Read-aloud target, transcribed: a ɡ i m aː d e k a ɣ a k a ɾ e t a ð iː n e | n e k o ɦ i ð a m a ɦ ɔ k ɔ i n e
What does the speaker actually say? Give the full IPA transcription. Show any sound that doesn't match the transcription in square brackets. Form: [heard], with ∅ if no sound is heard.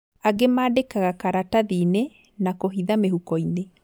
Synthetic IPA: a ɡ [e] m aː d e k a ɣ a k a ɾ [a] t a ð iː n e | n [a] k o ɦ i ð a m [e] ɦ [u] k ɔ i n e